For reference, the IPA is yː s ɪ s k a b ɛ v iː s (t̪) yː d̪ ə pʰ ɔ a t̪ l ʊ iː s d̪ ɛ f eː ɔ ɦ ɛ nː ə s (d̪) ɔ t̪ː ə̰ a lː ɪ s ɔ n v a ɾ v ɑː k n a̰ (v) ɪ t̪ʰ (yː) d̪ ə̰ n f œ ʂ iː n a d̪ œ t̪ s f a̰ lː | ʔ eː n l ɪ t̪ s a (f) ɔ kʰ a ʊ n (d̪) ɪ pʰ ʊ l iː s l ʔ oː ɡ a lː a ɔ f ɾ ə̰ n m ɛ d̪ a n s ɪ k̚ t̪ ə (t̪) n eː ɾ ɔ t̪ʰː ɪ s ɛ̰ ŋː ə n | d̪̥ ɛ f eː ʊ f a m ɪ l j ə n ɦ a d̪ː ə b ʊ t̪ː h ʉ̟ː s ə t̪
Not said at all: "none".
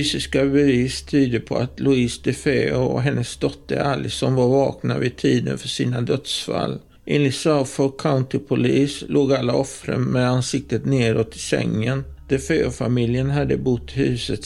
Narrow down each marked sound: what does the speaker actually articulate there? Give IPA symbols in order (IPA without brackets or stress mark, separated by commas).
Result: t̪ʰ, d̪, v, iː, f, t̪, t̪